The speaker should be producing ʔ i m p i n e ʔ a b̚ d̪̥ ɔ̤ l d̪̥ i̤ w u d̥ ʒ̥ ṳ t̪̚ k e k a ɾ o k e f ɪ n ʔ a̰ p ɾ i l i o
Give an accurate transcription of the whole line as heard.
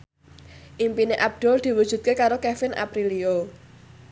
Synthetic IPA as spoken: ʔ i m p i n e ʔ a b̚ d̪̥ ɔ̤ l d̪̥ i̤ w u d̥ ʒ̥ ṳ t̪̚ k e k a ɾ o k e f ɪ n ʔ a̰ p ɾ i l i o